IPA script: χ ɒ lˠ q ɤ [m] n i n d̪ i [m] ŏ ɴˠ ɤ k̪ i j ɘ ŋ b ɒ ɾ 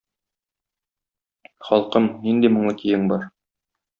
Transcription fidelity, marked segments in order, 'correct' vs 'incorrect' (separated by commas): correct, correct